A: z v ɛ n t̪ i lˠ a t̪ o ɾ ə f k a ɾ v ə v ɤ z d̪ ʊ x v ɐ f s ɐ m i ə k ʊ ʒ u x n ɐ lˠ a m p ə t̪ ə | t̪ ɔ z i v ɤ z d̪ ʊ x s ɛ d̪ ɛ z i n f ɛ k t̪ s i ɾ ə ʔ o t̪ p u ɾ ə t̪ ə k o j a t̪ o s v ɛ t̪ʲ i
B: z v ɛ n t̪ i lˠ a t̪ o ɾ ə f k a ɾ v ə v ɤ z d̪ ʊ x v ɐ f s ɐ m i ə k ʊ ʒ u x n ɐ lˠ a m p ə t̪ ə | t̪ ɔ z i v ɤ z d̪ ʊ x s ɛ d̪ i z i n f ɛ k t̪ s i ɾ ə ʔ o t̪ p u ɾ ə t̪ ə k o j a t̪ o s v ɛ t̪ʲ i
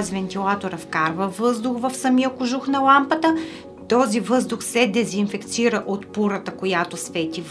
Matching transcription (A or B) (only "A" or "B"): A